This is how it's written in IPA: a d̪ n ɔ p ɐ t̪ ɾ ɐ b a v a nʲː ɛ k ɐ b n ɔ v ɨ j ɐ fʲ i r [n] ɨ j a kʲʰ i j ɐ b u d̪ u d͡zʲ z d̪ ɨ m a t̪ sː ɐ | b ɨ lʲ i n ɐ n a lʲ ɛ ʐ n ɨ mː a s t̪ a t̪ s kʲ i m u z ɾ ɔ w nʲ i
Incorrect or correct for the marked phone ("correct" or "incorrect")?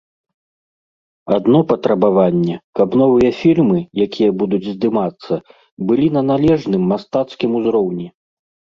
incorrect